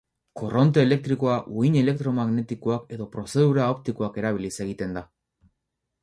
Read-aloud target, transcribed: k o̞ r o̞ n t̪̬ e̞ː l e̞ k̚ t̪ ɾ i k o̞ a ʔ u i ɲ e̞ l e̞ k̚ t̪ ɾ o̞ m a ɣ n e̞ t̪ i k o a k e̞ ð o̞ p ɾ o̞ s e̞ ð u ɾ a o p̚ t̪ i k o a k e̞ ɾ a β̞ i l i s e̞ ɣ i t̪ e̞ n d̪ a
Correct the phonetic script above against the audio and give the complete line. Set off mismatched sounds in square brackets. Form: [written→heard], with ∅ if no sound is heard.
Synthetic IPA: k o̞ r o̞ n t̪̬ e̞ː l e̞ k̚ t̪ ɾ i k o̞ a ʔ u i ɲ e̞ l e̞ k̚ t̪ ɾ o̞ m a ɣ n e̞ t̪ i k o a k e̞ ð o̞ p ɾ o̞ s e̞ ð u ɾ a o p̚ t̪ i k o a k e̞ ɾ a β̞ i l i s e̞ ɣ i t̪ e̞ n d̪ a